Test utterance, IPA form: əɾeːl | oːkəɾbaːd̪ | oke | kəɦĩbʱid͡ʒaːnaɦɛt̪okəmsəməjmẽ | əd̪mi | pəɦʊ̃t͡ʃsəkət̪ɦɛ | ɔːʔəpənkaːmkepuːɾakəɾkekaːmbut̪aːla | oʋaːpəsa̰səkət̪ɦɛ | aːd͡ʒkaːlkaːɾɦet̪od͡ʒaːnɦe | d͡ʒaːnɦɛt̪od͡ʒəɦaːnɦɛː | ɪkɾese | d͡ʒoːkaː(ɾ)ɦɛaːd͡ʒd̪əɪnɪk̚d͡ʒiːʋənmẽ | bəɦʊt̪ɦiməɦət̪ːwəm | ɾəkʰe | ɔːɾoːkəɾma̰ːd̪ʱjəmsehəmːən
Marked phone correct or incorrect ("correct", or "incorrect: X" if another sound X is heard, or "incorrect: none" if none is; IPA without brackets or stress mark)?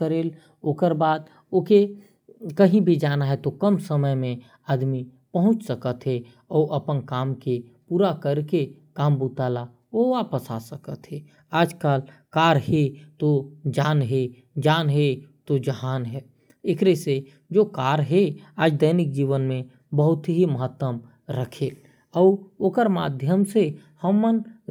correct